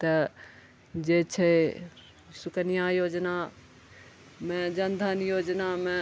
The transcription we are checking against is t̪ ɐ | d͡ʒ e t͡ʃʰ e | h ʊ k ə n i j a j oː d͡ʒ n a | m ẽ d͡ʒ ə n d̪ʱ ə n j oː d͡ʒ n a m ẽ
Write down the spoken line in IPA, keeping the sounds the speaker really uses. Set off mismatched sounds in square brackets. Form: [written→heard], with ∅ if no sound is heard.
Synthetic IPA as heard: t̪ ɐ | d͡ʒ e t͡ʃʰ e | [h→s] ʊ k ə n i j a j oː d͡ʒ n a | m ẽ d͡ʒ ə n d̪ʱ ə n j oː d͡ʒ n a m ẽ